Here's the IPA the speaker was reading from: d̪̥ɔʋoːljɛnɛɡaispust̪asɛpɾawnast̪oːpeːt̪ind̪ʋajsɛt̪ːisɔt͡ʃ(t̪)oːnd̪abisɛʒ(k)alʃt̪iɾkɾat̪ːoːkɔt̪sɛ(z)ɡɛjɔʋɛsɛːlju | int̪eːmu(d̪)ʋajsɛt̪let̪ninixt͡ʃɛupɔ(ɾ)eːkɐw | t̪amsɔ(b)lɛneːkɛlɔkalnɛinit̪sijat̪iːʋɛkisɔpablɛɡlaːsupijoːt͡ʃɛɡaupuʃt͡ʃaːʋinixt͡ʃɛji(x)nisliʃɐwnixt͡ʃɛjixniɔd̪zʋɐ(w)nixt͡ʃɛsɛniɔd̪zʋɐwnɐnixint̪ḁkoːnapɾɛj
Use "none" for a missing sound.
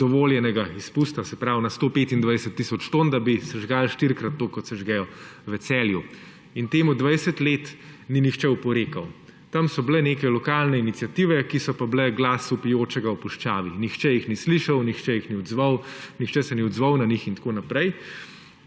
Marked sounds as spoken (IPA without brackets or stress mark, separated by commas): t̪, ɡ, ʒ, d̪, ɾ, b, x, w